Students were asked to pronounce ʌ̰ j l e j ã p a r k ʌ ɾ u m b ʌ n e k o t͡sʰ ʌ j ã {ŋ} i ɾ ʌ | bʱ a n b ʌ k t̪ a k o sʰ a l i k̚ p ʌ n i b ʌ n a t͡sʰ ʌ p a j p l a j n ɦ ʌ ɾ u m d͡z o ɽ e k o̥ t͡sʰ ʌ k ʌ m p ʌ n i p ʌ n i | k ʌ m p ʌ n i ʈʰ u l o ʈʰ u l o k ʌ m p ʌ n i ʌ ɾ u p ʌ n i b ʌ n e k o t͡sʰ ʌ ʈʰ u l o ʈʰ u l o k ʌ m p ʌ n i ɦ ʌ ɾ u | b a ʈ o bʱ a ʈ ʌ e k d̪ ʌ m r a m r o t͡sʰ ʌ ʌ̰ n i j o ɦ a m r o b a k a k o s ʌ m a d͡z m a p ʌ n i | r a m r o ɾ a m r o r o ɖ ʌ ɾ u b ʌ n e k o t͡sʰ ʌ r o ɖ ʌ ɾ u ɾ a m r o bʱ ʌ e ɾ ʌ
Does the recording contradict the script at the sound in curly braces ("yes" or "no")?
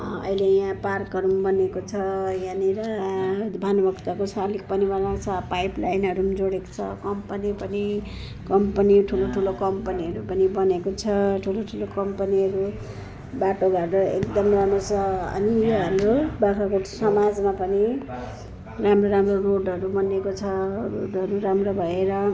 yes